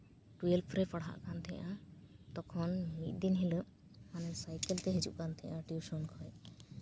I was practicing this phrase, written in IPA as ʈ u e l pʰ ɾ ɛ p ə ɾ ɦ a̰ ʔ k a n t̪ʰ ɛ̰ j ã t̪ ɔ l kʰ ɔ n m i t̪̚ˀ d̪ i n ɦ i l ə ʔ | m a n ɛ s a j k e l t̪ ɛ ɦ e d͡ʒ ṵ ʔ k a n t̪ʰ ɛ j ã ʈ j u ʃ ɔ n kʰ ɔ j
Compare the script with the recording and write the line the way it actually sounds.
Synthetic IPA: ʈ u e l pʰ ɾ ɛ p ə ɽ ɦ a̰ ʔ k a n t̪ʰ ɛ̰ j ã t̪ ɔ kʰ ɔ n m i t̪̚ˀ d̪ i n ɦ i l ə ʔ | m a n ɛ s a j k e l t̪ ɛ ɦ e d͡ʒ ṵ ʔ k a n t̪ʰ ɛ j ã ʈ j u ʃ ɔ n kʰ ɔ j